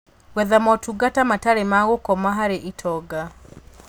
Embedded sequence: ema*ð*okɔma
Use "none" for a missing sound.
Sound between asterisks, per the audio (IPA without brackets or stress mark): ɣ